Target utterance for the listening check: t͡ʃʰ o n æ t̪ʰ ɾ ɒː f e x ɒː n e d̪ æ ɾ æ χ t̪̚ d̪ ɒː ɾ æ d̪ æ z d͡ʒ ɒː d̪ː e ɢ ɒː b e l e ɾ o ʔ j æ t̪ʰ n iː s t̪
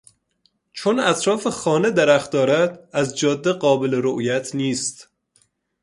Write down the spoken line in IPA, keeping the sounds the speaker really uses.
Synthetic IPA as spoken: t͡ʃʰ o n æ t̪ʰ ɾ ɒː f e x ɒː n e d̪ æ ɾ æ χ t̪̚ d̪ ɒː ɾ æ d̪ æ z d͡ʒ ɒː d̪ː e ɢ ɒː b e l e ɾ o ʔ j æ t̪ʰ n iː s t̪